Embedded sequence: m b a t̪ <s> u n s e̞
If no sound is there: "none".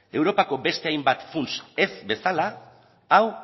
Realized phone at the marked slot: f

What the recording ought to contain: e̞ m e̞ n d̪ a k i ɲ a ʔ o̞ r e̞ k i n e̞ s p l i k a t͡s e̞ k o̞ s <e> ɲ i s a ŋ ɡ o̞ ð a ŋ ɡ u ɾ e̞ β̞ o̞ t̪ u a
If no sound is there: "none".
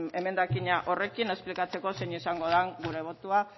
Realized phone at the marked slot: e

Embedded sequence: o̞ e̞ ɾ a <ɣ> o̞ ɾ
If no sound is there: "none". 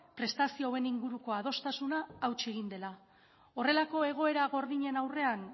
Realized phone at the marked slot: ɣ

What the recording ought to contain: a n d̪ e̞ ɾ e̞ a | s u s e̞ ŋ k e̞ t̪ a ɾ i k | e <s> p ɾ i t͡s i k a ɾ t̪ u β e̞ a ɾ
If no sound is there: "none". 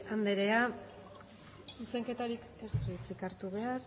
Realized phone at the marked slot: s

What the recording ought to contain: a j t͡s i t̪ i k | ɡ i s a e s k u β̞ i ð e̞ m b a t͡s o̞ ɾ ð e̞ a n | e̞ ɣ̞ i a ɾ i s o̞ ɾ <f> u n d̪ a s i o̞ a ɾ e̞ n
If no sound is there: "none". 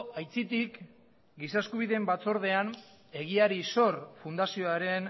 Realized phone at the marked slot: f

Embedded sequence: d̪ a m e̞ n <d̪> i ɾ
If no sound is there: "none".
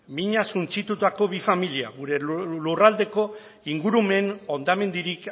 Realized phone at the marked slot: d̪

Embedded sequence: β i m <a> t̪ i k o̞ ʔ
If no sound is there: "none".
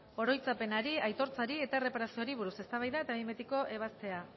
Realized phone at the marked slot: e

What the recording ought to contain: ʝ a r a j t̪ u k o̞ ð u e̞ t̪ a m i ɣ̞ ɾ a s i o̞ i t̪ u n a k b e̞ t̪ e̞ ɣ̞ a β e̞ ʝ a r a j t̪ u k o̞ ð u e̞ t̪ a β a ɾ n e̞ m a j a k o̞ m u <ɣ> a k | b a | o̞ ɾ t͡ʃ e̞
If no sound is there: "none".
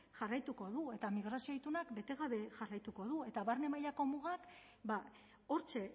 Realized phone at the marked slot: ɣ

